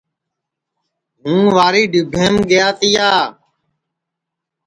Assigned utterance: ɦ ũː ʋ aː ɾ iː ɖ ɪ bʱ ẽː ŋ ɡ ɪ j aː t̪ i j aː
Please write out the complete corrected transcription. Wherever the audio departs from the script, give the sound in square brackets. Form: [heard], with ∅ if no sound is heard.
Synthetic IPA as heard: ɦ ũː ʋ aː ɾ iː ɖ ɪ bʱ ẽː [m] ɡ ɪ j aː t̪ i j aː